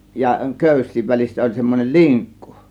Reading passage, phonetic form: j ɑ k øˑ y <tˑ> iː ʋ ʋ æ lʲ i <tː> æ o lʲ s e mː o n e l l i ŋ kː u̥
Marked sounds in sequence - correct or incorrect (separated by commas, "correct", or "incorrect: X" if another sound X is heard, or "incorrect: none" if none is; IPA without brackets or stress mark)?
incorrect: sˑ, incorrect: sː